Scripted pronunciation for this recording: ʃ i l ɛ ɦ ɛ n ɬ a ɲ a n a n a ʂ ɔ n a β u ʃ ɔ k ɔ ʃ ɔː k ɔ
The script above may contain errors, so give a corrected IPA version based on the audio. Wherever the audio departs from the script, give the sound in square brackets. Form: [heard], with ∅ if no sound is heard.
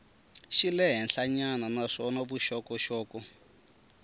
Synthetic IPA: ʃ i l ɛ ɦ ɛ n ɬ a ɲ a n a n a ʂ ɔ n a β u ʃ ɔ k ɔ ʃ ɔː k ɔ